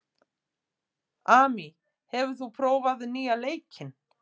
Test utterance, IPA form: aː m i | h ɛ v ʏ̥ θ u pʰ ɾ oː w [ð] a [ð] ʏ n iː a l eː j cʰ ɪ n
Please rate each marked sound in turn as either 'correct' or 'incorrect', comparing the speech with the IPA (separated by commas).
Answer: incorrect, correct